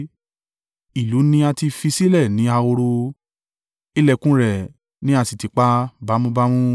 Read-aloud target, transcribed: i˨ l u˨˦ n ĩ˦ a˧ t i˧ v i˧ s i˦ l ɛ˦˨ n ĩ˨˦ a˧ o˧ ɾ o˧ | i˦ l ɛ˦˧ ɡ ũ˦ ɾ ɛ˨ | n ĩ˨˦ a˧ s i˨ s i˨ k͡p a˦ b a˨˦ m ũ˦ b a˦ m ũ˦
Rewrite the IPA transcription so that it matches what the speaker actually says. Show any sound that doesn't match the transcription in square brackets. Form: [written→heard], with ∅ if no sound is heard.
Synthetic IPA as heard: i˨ l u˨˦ n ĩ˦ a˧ t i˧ [v→f] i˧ s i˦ l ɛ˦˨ n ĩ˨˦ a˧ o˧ ɾ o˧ | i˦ l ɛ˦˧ [ɡ→k] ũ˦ ɾ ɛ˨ | n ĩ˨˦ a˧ s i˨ [s→t] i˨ k͡p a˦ b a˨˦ m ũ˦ b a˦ m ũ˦